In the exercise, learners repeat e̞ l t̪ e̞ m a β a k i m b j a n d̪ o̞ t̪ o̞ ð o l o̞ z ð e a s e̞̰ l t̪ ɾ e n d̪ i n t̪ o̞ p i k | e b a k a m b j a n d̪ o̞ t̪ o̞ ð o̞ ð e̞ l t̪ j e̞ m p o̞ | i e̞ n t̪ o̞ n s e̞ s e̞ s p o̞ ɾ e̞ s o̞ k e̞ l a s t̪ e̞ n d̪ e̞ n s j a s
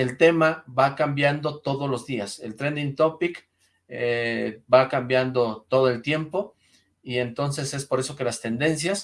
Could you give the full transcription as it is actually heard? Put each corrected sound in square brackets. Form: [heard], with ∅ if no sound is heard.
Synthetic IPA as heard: e̞ l t̪ e̞ m a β a k [a] m b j a n d̪ o̞ t̪ o̞ ð o l o̞ z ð [i] a s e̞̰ l t̪ ɾ e n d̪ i n t̪ o̞ p i k | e b a k a m b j a n d̪ o̞ t̪ o̞ ð o̞ [∅] e̞ l t̪ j e̞ m p o̞ | i e̞ n t̪ o̞ n s e̞ s e̞ s p o̞ ɾ e̞ s o̞ k e̞ l a s t̪ e̞ n d̪ e̞ n s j a s